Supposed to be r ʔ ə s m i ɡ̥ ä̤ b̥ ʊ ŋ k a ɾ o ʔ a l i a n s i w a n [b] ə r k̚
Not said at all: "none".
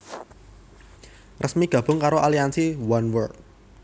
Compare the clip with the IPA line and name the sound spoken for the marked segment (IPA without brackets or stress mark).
w